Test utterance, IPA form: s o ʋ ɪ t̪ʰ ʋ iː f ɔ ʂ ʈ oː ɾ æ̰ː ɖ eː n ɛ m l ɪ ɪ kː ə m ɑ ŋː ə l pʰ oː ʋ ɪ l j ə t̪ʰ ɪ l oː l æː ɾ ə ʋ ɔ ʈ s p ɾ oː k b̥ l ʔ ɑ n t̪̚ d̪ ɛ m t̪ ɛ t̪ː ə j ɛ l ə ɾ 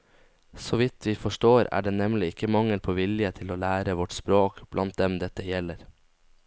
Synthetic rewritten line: s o ʋ ɪ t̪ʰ ʋ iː f ɔ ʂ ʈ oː ɾ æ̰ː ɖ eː n ɛ m l ɪ ɪ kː ə m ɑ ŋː ə l pʰ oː ʋ ɪ l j ə t̪ʰ ɪ l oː l æː ɾ ə ʋ ɔ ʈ s p ɾ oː k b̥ l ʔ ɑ n t̪̚ d̪ ɛ m d̪ ɛ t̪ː ə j ɛ l ə ɾ